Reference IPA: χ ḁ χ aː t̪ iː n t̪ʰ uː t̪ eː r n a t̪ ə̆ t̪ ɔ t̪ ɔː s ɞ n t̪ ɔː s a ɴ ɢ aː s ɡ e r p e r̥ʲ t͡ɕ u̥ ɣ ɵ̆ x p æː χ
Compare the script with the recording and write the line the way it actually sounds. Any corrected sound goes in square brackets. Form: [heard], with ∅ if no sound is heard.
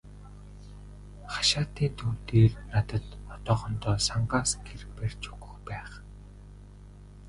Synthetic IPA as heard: χ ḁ [ʃ] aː t̪ iː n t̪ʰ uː t̪ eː r n a t̪ ə̆ t̪ ɔ t̪ ɔː [χ] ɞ n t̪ ɔː s a ɴ ɢ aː s ɡ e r p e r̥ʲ t͡ɕ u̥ ɣ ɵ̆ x p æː χ

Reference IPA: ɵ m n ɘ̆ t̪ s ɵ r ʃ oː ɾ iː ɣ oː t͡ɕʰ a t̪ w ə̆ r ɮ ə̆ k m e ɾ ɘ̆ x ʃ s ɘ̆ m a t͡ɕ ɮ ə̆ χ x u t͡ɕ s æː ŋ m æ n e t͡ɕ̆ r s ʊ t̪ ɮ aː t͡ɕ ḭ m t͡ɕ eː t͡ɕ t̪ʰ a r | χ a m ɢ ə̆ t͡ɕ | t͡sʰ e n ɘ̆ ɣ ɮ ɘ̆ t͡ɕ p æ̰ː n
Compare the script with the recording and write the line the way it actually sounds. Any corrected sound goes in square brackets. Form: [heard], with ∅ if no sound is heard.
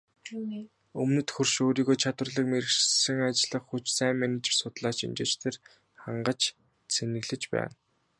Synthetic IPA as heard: ɵ m n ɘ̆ t̪ [x] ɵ r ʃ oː ɾ iː ɣ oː t͡ɕʰ a t̪ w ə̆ r ɮ ə̆ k m e ɾ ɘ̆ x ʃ s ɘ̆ [ŋ] a t͡ɕ ɮ ə̆ χ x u t͡ɕ s æː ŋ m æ n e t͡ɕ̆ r s ʊ t̪ ɮ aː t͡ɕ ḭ m t͡ɕ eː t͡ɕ t̪ʰ [e] r | χ a [ɴ] ɢ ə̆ t͡ɕ | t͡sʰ e n ɘ̆ ɣ ɮ ɘ̆ t͡ɕ p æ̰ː n

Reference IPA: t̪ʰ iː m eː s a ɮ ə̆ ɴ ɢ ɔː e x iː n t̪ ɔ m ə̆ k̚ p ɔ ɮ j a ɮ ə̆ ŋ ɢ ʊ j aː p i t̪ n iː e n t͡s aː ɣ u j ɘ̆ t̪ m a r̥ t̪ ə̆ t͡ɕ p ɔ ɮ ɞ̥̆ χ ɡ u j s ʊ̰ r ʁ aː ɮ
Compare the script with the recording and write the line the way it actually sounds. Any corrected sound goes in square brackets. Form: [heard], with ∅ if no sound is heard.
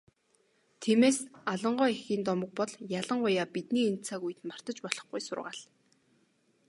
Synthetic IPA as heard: t̪ʰ iː m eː s a ɮ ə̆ ɴ ɢ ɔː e x iː n t̪ ɔ m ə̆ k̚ p ɔ ɮ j a ɮ ə̆ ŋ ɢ ʊ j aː p i t̪ n iː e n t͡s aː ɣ u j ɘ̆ t̪ m a r̥ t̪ ə̆ t͡ɕ p ɔ ɮ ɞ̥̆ χ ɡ u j s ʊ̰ r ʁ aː ɮ

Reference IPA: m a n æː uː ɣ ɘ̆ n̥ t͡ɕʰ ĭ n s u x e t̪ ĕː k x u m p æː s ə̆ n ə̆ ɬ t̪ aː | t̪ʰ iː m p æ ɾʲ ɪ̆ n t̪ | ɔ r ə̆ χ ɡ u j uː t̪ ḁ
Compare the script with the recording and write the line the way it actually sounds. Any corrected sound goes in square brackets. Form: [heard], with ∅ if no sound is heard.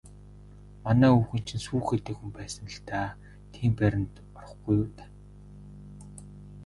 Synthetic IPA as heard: m a n æː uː [x] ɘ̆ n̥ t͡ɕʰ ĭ n s [uː] x e t̪ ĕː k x u m p æː s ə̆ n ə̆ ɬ t̪ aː | t̪ʰ iː m p æ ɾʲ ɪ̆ n t̪ | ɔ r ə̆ χ ɡ u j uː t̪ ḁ

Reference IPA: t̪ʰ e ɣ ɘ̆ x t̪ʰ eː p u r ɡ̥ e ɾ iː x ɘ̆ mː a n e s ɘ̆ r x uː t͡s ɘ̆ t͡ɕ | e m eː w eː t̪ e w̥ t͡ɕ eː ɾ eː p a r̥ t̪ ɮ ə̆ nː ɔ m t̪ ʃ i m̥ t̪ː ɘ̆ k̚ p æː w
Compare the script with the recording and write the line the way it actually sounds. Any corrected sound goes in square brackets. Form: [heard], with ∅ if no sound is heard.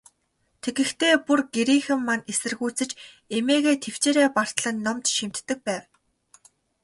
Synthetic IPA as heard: t̪ʰ e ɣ ɘ̆ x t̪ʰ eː p u r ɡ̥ e ɾ iː x ɘ̆ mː a n e s ɘ̆ r [ɣ] uː t͡s ɘ̆ t͡ɕ | e m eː [ɣ] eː [t̪ʰ] e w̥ t͡ɕ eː ɾ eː p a r̥ t̪ ɮ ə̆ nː ɔ m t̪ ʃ i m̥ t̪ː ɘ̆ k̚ p æː w

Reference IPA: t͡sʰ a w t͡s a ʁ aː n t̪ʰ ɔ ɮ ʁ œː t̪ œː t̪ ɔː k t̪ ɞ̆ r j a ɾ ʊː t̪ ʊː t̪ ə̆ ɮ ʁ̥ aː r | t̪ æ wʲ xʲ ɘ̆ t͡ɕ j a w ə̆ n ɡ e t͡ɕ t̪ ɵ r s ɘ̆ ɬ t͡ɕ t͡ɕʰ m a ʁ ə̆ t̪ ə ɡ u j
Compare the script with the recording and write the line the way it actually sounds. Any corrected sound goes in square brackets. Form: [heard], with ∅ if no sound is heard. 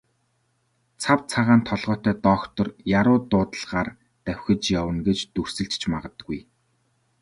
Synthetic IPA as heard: t͡sʰ a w [t͡sʰ] a ʁ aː n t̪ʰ ɔ ɮ ʁ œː t̪ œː t̪ ɔː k t̪ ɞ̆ r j a ɾ ʊː t̪ ʊː t̪ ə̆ ɮ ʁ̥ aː r | t̪ æ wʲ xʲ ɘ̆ t͡ɕ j a w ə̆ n ɡ e t͡ɕ t̪ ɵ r s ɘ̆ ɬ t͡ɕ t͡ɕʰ m a ʁ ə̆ t̪ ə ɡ u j

